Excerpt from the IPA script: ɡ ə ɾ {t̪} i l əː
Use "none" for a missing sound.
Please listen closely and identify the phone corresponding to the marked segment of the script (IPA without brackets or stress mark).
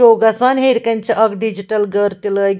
t̪